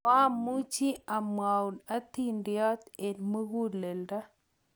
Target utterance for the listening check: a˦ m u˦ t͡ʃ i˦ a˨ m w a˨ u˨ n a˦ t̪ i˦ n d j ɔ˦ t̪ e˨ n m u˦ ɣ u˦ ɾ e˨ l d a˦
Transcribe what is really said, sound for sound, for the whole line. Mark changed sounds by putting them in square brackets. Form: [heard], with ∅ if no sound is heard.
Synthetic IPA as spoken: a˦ m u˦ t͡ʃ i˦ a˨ m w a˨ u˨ n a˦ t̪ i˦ n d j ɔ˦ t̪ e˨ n m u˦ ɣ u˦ [l] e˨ l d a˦